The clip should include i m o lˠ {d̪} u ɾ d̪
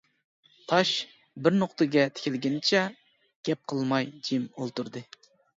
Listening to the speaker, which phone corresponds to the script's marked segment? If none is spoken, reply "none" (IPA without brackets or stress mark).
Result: t̪